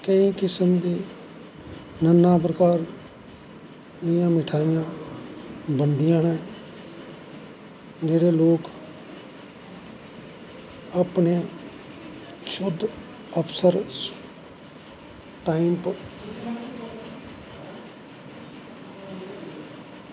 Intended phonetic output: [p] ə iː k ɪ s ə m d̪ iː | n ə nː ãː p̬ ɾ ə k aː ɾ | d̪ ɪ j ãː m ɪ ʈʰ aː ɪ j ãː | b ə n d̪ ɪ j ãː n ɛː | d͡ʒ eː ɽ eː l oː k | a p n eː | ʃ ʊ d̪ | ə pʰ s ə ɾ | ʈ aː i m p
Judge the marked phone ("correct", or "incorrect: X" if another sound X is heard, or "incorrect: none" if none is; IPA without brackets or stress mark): incorrect: k